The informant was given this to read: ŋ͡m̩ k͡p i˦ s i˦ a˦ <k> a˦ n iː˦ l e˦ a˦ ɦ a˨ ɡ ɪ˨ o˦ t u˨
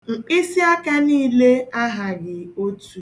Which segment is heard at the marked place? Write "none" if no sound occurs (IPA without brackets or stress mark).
k